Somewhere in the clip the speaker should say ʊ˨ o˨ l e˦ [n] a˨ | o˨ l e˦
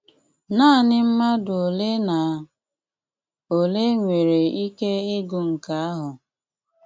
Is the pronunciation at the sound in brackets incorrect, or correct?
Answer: correct